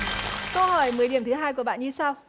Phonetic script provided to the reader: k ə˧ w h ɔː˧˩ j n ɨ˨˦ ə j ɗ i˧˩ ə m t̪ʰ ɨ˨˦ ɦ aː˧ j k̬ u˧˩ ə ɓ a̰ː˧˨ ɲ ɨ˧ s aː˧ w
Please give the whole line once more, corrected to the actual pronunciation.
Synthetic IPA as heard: k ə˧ w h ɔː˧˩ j m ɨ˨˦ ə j ɗ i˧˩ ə m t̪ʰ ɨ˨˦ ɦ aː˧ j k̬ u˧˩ ə ɓ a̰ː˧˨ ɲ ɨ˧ s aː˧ w

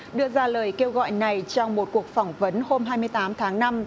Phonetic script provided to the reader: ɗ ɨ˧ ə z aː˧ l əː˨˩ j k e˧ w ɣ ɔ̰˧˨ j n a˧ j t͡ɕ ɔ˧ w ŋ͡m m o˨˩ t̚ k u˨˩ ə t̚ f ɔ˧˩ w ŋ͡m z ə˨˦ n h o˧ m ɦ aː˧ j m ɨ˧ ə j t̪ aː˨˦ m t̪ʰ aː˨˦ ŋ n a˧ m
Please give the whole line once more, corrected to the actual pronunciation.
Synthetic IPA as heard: ɗ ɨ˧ ə z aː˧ l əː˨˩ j k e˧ w ɣ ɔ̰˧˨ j n a˨˩ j t͡ɕ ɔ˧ w ŋ͡m m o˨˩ t̚ k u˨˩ ə k̚ f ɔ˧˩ w ŋ͡m v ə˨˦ n h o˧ m ɦ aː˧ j m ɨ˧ ə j t̪ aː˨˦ m t̪ʰ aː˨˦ ŋ n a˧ m

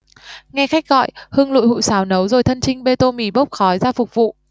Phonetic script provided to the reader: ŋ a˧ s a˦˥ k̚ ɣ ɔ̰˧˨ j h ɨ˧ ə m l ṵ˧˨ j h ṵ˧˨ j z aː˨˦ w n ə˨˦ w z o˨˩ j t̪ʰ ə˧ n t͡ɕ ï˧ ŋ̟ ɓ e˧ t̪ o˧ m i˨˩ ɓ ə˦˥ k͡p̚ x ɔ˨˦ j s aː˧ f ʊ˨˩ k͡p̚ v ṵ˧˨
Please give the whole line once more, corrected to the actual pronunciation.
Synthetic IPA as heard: ŋ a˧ x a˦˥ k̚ ɣ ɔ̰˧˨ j h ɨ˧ ə ŋ l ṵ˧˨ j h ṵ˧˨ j s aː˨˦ w n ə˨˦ w z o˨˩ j t̪ʰ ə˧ n t͡ɕ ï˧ ŋ̟ ɓ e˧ t̪ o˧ m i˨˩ ɓ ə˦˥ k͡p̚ x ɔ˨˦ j z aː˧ f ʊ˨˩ k͡p̚ v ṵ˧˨

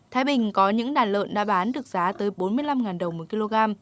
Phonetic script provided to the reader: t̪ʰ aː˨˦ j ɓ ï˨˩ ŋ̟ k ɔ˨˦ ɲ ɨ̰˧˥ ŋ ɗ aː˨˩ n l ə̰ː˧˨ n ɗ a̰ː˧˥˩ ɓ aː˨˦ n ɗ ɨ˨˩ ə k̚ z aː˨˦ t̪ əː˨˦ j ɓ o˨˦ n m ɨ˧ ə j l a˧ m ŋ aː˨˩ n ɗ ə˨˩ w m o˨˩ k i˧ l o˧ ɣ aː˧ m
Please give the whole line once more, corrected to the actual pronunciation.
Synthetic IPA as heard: t̪ʰ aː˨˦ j ɓ ï˨˩ ŋ̟ k ɔ˨˦ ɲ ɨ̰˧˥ ŋ ɗ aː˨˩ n l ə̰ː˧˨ n ɗ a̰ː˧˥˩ ɓ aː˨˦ n ɗ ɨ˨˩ ə k̚ z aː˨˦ t̪ əː˨˦ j ɓ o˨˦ n m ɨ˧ ə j l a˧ m ŋ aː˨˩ n ɗ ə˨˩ w m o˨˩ k i˧ l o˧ ɣ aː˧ m

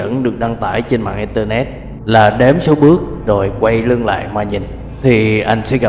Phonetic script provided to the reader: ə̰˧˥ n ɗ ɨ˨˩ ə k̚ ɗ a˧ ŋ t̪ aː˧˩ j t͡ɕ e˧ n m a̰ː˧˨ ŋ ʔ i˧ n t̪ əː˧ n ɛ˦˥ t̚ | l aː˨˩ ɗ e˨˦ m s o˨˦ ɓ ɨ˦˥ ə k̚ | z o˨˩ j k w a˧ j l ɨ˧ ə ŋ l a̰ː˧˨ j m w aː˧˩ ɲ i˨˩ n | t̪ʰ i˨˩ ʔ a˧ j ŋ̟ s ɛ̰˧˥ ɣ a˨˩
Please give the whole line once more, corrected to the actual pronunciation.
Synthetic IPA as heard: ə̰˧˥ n ɗ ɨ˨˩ ə k̚ ɗ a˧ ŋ t̪ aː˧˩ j t͡ɕ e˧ n m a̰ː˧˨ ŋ ʔ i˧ n t̪ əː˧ n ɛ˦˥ t̚ | l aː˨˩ ɗ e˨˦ m s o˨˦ ɓ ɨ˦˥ ə k̚ | z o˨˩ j k w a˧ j l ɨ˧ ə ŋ l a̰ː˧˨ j m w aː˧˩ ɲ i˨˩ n | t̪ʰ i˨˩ ʔ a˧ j ŋ̟ s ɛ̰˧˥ ɣ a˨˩

